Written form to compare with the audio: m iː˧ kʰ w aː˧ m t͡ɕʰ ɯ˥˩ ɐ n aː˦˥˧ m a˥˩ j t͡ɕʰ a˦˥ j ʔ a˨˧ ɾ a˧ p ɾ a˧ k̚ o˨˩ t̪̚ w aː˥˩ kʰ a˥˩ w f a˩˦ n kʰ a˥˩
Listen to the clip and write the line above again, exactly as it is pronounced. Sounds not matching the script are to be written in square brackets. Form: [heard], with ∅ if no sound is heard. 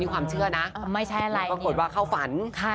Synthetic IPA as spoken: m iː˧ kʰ w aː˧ m t͡ɕʰ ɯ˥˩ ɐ n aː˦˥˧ m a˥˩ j t͡ɕʰ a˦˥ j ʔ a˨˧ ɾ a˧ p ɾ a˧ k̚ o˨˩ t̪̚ w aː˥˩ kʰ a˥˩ w f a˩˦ n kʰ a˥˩